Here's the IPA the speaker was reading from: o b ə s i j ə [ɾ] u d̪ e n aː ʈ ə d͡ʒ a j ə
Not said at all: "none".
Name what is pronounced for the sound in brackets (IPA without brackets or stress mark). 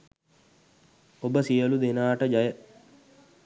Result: l